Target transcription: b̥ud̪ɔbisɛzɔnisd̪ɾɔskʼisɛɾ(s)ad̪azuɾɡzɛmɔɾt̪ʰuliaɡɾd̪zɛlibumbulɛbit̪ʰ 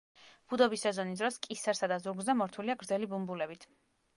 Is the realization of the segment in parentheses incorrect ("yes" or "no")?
no